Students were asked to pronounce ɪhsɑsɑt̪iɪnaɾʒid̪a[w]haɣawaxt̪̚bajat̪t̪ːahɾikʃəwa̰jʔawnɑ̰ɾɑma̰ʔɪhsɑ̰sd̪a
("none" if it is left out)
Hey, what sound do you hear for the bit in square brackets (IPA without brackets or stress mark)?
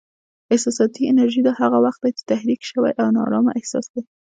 none